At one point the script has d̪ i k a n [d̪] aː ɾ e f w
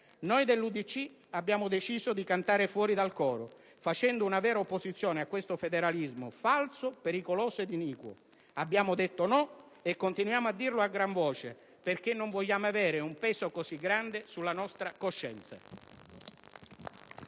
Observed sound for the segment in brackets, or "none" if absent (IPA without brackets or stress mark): t̪